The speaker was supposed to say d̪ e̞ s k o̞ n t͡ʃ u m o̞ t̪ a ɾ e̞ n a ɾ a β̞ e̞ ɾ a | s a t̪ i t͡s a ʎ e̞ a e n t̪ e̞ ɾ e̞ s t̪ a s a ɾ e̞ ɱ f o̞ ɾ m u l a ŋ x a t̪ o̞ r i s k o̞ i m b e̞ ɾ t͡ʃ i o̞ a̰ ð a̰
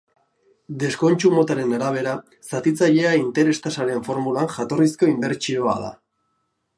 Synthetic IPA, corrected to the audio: d̪ e̞ s k o̞ n t͡ʃ u m o̞ t̪ a ɾ e̞ n a ɾ a β̞ e̞ ɾ a | s a t̪ i t͡s a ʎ e̞ a i n t̪ e̞ ɾ e̞ s t̪ a s a ɾ e̞ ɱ f o̞ ɾ m u l a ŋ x a t̪ o̞ r i s k o̞ i m b e̞ ɾ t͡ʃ i o̞ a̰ ð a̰